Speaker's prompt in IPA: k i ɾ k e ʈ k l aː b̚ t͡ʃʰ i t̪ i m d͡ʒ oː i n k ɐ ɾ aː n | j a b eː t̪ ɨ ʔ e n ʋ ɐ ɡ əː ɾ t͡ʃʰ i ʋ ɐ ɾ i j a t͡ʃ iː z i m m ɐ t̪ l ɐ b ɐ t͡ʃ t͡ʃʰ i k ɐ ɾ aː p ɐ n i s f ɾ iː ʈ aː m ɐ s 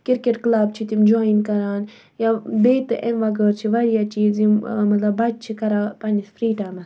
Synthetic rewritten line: k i ɾ k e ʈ k l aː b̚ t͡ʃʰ i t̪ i m d͡ʒ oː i n k ɐ ɾ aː n | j a b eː t̪ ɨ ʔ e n ʋ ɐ ɡ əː ɾ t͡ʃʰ i ʋ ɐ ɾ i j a t͡ʃ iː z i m m ɐ t̪ l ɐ b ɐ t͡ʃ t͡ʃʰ i k ɐ ɾ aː p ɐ n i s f ɾ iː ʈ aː m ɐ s